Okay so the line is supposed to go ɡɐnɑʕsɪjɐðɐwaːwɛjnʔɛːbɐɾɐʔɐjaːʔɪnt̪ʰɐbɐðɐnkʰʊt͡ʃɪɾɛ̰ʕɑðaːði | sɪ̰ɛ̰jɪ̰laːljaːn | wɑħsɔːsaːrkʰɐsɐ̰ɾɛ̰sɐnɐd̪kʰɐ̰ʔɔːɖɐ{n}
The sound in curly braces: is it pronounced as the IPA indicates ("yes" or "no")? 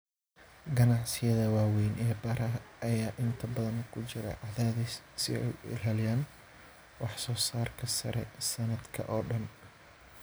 yes